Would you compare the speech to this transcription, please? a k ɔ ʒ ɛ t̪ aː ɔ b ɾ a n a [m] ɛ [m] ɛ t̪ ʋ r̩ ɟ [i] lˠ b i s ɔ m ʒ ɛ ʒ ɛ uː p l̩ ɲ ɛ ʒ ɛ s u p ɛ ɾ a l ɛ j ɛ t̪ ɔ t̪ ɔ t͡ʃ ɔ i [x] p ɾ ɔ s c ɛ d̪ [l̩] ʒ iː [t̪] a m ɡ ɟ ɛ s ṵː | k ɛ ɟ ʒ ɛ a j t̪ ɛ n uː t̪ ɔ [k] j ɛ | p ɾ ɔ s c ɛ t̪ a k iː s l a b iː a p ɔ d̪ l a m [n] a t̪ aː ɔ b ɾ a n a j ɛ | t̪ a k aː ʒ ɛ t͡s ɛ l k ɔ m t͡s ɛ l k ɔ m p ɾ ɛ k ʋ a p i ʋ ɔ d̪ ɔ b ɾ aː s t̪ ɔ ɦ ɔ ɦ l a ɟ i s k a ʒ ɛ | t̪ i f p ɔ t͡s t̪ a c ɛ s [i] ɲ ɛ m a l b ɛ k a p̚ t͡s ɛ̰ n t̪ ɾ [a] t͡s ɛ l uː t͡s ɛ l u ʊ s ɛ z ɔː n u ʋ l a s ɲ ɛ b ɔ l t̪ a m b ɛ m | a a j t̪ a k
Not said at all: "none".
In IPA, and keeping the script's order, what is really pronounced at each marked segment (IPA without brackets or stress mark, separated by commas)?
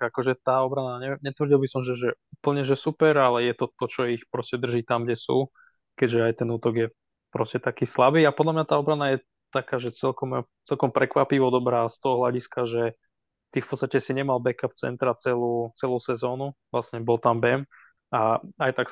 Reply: ɲ, ɲ, i, x, r̩, t̪, ɡ, ɲ, i, a